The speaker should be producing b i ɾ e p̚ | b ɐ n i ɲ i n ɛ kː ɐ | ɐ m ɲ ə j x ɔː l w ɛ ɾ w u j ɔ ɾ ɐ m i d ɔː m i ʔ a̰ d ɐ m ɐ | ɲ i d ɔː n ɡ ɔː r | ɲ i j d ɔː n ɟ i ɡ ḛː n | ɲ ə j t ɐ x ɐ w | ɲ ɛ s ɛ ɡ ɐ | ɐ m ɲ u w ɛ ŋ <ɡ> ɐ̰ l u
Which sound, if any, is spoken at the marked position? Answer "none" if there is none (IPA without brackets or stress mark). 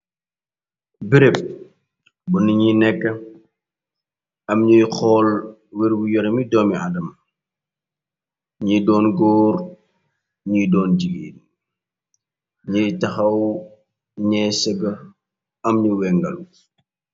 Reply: ɡ